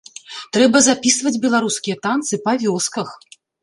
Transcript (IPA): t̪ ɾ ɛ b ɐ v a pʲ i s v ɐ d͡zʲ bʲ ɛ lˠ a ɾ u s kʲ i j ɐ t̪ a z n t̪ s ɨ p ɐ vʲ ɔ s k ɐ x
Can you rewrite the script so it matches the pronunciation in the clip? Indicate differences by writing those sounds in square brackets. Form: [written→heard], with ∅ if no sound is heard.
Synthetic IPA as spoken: t̪ ɾ ɛ b ɐ [v→z] a pʲ i s v ɐ d͡zʲ bʲ ɛ lˠ a ɾ u s kʲ i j ɐ t̪ a [z→∅] n t̪ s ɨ p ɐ vʲ ɔ s k ɐ x